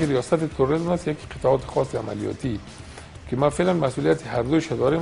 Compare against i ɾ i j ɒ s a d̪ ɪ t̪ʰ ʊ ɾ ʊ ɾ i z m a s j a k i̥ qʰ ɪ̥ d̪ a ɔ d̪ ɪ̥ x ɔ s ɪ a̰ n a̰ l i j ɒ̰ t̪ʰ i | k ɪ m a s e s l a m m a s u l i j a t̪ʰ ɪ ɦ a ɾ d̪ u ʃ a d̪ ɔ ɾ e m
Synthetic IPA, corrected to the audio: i ɾ i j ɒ s a t̪ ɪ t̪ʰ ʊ ɾ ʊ ɾ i z m a s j a k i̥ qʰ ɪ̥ t̪ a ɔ t̪ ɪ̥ x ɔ s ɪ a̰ m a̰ l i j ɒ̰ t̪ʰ i | k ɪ m a f e l a n m a s u l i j a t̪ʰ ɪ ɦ a ɾ d̪ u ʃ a d̪ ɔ ɾ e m